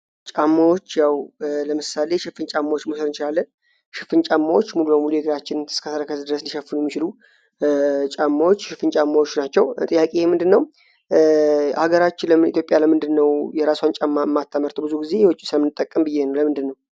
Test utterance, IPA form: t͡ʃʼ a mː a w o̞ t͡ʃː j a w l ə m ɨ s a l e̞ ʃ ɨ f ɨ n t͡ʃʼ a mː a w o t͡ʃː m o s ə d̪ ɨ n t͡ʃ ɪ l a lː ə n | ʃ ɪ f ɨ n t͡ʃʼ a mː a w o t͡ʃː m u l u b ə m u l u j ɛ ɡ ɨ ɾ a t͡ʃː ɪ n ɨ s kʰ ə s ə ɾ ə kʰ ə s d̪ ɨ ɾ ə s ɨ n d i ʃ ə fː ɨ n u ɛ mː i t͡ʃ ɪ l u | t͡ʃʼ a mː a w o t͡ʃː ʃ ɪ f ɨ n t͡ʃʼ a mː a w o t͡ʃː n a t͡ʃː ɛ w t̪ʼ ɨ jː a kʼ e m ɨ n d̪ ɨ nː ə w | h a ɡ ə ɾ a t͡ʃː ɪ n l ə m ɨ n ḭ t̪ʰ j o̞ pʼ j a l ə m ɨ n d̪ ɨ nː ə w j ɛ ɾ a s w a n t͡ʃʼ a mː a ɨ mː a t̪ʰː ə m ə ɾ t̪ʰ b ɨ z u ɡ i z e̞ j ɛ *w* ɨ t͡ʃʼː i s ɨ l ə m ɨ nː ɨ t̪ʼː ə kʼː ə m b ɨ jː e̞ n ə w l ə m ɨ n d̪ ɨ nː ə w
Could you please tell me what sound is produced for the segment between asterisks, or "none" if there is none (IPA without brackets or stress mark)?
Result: w